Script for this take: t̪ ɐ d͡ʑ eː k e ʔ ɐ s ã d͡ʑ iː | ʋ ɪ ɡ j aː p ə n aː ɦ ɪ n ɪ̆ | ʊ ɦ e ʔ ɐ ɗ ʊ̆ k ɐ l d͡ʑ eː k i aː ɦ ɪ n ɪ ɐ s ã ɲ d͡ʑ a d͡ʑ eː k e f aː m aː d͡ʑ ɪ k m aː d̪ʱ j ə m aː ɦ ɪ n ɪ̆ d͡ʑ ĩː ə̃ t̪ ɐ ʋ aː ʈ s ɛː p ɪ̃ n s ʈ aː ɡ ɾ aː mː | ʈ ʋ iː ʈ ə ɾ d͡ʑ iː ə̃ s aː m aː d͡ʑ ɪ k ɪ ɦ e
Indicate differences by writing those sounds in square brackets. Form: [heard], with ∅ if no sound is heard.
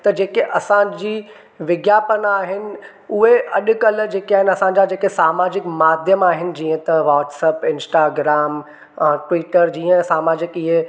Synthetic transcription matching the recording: t̪ ɐ d͡ʑ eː k e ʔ ɐ s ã d͡ʑ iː | ʋ ɪ ɡ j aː p ə n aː ɦ ɪ n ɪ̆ | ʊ ɦ e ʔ ɐ ɗ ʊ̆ k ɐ l d͡ʑ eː k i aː ɦ ɪ n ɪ ɐ s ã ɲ d͡ʑ a d͡ʑ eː k e [s] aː m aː d͡ʑ ɪ k m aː d̪ʱ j ə m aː ɦ ɪ n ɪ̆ d͡ʑ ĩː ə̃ t̪ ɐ ʋ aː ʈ s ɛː p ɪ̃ n s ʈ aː ɡ ɾ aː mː | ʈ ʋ iː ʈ ə ɾ d͡ʑ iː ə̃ s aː m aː d͡ʑ ɪ k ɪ ɦ e